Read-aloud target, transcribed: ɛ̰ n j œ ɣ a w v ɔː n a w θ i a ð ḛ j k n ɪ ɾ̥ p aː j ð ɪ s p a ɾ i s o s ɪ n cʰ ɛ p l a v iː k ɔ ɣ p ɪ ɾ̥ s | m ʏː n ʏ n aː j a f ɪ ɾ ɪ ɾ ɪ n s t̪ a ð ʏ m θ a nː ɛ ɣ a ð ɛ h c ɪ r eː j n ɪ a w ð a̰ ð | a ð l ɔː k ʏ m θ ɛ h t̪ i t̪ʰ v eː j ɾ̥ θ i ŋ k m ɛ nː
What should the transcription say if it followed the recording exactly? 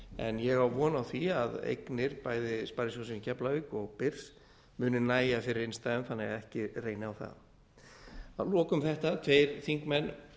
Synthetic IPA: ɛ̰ n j ɛ ɣ a w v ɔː n a w θ i a ð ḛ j k n ɪ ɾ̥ p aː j ð ɪ s p a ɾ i s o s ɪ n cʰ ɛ p l a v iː k ɔ ɣ p ɪ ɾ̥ s | m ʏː n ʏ n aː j a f ɪ ɾ ɪ ɾ ɪ n s t̪ a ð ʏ m θ a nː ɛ ɣ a ð ɛ h c ɪ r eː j n ɪ a w θ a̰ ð | a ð l ɔː k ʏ m θ ɛ h t̪ a t̪ʰ v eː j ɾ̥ θ i ŋ k m ɛ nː